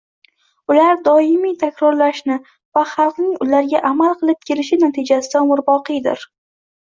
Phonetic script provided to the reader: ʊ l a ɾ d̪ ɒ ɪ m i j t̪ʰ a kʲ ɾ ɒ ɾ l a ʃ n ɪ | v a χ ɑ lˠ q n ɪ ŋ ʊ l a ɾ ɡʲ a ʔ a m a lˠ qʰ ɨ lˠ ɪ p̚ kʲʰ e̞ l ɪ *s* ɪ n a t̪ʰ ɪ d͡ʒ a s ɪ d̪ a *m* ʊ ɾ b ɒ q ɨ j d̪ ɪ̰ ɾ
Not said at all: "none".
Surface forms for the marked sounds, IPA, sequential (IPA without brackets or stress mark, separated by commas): ʃ, m